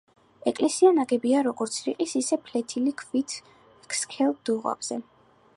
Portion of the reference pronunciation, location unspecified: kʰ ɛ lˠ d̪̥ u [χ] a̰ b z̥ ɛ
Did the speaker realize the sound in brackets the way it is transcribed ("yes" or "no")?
no